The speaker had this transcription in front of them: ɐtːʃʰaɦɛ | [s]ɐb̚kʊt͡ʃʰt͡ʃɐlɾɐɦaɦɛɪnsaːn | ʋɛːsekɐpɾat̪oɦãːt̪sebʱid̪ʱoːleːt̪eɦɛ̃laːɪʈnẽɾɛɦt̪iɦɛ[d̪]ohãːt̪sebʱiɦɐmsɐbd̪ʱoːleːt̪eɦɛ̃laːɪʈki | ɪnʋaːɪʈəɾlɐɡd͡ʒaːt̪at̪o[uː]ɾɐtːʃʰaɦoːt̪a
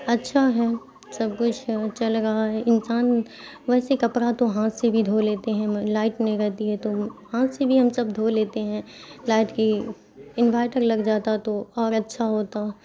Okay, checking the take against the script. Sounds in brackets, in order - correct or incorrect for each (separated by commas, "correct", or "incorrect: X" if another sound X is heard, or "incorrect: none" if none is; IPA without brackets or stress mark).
correct, incorrect: t̪, incorrect: ɔː